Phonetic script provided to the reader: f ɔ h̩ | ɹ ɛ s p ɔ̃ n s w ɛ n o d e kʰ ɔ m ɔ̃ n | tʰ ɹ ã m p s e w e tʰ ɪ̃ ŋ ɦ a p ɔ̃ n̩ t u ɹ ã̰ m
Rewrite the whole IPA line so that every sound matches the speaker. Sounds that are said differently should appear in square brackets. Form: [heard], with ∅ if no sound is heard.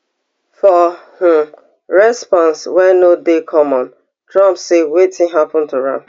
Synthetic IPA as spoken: f ɔ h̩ | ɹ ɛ s p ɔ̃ n s w ɛ n o d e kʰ ɔ m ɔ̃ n | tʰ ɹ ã m p s e w e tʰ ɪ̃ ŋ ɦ a p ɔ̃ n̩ t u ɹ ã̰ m

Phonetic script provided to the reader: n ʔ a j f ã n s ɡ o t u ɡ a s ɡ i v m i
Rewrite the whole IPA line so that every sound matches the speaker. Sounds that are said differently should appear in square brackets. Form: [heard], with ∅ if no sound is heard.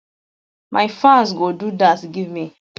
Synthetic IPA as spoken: [m] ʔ a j f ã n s ɡ o [d] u [d] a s ɡ i v m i

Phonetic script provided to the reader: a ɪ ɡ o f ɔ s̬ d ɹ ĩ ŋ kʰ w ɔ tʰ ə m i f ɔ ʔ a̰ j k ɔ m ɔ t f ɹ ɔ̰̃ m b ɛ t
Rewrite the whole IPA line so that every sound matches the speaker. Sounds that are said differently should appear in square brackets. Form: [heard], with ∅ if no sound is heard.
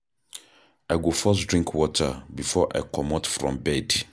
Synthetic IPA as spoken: a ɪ ɡ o f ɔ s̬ d ɹ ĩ ŋ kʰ w ɔ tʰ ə [b] i f ɔ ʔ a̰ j k ɔ m ɔ t f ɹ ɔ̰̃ m b ɛ [d]

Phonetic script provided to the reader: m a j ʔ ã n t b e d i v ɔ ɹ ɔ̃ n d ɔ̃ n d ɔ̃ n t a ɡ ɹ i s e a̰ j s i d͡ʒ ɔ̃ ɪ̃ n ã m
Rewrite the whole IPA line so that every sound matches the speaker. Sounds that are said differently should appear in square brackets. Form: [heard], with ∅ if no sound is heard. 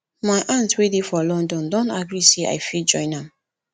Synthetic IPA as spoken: m a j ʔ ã n t [w] e d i [f] ɔ [l] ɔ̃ n d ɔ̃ n d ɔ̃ n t a ɡ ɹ i s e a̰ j [f] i d͡ʒ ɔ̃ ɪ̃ n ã m

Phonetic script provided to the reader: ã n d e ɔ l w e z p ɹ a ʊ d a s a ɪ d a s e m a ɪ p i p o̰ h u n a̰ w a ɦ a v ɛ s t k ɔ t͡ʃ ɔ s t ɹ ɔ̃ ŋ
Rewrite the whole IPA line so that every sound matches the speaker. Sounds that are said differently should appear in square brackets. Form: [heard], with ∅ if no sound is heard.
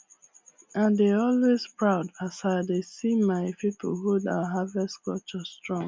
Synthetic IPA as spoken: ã n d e ɔ l w e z p ɹ a ʊ d a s a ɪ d [e] s [i] m a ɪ p i p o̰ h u [d] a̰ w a ɦ a v ɛ s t k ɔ t͡ʃ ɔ s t ɹ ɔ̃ ŋ

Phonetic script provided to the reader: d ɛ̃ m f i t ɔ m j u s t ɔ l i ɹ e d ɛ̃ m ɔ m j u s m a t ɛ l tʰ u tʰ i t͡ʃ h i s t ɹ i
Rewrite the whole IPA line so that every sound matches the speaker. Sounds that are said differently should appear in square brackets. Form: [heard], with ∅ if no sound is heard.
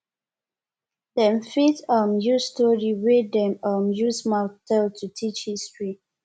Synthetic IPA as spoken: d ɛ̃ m f i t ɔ m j u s t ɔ [ɹ] i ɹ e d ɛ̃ m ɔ m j u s m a t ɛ l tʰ u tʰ i t͡ʃ h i s t ɹ i

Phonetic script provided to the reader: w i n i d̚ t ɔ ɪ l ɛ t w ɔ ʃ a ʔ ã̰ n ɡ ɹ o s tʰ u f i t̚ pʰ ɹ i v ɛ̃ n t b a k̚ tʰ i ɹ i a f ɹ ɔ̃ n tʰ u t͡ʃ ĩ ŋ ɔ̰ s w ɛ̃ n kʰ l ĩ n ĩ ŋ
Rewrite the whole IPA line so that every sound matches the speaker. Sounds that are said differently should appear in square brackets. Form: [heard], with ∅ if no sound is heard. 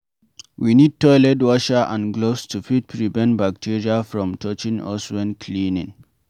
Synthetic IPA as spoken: w i n i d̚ t ɔ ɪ l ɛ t w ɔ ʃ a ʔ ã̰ n ɡ [l] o s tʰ u f i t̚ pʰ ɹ i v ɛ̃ n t b a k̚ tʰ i ɹ i a f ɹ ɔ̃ [m] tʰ [ɔ] t͡ʃ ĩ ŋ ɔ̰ s w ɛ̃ n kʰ l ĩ n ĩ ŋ

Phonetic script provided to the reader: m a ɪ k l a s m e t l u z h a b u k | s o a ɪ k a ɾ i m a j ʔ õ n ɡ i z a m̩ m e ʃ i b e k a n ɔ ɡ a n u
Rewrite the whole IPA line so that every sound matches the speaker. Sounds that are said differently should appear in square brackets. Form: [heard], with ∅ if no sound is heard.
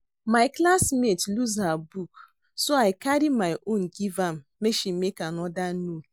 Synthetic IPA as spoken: m a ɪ k l a s m e t l u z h a b u k | s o a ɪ k a ɾ i m a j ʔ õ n ɡ i [v] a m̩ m e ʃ i [m] e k a n ɔ [d] a n u

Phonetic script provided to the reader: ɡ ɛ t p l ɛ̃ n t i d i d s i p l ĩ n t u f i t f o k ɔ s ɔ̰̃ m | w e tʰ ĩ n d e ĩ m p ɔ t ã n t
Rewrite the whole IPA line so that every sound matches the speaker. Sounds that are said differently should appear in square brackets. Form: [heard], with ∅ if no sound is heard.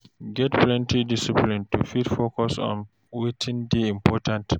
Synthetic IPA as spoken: ɡ ɛ t p l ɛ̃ n t i d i [∅] s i p l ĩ n t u f i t f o k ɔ s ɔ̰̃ [n] | w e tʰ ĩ n d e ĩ m p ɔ t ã n t

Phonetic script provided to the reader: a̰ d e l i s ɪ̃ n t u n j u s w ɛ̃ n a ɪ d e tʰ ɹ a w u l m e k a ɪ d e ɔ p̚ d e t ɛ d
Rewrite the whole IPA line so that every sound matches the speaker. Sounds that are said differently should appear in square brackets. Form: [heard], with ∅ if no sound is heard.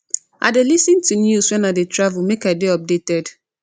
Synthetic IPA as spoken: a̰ d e l i s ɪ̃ n t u n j u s w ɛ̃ n a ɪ d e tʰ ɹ a [v] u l m e k a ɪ d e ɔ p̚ d e t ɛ d

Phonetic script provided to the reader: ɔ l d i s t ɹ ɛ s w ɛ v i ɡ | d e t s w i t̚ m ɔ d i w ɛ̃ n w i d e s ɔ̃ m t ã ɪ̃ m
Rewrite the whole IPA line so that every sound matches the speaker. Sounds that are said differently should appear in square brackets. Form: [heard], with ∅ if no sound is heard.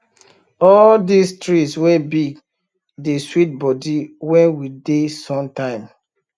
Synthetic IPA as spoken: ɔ l d i s t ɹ [i] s w ɛ [b] i ɡ | d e [∅] s w i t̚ [b] ɔ d i w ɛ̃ n w i d e s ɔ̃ m t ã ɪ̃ m

